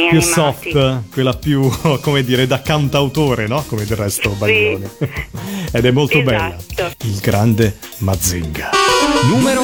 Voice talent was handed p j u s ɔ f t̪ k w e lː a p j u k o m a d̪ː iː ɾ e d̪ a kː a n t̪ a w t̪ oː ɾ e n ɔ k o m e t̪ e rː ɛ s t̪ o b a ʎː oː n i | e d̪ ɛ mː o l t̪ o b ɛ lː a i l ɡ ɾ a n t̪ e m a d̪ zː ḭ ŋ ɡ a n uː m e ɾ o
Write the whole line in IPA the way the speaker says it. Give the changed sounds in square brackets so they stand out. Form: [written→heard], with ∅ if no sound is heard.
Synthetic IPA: p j u s ɔ f t̪ k w e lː a p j u k o m [a→e] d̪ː iː ɾ e d̪ a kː a n t̪ a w t̪ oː ɾ e n ɔ k o m e [t̪→d̪] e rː ɛ s t̪ o b a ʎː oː n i | e d̪ ɛ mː o l t̪ o b ɛ lː a i l ɡ ɾ a n [t̪→d̪] e m a d̪ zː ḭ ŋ ɡ a n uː m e ɾ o